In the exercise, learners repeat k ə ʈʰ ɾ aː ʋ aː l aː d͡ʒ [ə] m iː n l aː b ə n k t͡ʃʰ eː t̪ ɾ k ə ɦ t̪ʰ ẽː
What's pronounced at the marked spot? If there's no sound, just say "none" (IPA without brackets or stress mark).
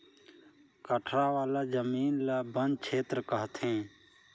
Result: ə